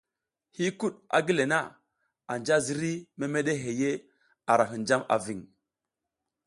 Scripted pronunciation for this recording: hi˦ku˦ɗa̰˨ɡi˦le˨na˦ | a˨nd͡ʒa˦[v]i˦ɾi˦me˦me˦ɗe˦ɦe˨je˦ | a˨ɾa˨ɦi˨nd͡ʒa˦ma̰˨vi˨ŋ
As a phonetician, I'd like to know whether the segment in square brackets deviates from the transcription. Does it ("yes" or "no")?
yes